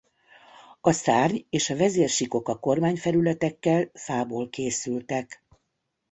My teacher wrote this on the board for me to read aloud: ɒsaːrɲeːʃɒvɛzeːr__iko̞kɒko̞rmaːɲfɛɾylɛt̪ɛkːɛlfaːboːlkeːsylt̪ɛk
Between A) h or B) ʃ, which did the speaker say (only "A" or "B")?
B